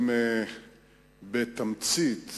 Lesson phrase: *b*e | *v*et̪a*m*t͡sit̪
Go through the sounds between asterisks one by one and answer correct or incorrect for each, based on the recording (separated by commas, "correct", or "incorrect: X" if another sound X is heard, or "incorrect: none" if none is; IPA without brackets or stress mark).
incorrect: m, incorrect: b, correct